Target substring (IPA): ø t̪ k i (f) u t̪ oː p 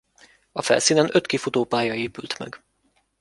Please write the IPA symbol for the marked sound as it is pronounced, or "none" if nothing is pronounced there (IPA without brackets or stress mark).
f